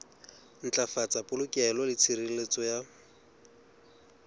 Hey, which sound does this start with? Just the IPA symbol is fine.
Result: n̩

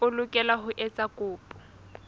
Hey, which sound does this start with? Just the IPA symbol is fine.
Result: ʊ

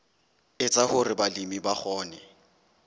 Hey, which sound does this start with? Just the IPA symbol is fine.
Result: ɪ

